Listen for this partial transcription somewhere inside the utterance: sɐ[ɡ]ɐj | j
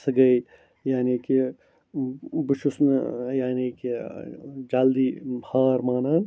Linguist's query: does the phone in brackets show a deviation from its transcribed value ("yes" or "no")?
no